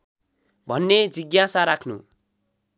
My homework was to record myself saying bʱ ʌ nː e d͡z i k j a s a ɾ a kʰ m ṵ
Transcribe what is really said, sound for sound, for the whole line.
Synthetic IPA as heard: bʱ ʌ nː e d͡z i ɡ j a s a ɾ a kʰ n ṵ

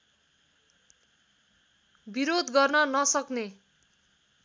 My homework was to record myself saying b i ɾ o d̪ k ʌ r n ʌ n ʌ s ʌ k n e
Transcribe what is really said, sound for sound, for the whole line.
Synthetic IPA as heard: b i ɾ o d̪ ɡ ʌ r n ʌ n ʌ s ʌ k n e

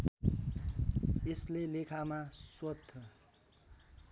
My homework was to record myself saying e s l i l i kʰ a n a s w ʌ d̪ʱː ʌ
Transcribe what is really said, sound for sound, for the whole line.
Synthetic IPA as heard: e s l e l e kʰ a m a s w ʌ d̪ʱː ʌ

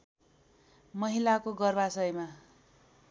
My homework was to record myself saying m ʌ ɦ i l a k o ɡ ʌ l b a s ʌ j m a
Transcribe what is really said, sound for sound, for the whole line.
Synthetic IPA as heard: m ʌ ɦ i l a k o ɡ ʌ r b a s ʌ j m a

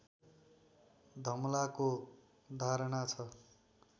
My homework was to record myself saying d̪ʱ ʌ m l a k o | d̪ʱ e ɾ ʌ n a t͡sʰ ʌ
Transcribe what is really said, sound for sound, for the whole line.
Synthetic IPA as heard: d̪ʱ ʌ m l a k o | d̪ʱ a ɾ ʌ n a t͡sʰ ʌ

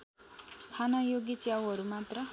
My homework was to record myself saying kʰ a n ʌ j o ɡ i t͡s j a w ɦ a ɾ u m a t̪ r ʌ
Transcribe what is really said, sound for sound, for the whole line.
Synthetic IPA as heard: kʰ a n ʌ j o ɡ i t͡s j a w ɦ ʌ ɾ u m a t̪ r ʌ

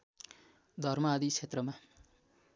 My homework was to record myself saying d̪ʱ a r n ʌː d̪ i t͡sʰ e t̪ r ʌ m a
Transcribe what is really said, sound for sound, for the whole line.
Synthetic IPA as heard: d̪ʱ ʌ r m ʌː d̪ i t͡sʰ e t̪ r ʌ m a

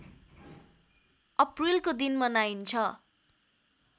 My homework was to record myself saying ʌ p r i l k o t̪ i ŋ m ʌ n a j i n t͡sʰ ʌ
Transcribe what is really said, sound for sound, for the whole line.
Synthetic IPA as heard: ʌ p r i l k o d̪ i n m ʌ n a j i n t͡sʰ ʌ

